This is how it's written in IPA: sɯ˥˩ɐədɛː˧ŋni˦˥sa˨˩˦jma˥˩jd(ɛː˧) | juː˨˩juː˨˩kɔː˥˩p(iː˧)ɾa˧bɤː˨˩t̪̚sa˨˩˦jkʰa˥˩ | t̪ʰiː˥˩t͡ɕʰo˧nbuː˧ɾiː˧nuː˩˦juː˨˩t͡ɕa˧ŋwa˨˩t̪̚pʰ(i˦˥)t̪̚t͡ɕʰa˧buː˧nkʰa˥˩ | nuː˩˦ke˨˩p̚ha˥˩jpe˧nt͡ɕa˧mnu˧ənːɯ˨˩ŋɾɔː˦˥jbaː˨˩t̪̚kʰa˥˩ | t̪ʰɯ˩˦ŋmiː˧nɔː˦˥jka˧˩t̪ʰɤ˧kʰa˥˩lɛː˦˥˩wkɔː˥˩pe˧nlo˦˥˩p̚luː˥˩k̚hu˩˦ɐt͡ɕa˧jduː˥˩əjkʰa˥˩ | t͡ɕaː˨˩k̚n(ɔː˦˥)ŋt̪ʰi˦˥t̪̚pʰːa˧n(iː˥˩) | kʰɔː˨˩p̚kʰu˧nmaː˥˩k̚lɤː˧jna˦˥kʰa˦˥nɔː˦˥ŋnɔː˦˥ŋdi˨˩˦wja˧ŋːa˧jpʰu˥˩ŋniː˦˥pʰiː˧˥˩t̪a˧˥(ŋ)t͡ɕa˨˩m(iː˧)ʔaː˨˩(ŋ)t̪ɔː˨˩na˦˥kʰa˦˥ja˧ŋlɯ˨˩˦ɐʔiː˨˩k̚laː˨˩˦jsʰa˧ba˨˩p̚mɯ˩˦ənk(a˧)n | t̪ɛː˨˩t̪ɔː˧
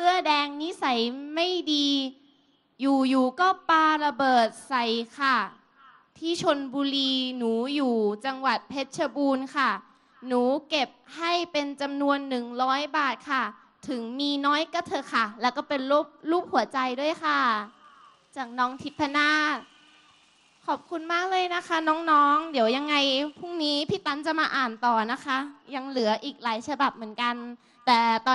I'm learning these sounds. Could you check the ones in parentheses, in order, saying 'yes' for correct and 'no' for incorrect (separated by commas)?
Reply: no, no, no, yes, no, no, no, no, yes